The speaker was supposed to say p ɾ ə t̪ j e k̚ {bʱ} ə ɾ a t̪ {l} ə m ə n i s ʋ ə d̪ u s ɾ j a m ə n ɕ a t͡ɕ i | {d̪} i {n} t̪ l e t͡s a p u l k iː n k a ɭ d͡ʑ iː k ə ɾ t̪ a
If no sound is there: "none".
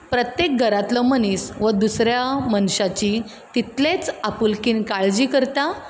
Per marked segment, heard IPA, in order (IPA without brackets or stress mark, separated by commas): ɡʱ, l, t̪, none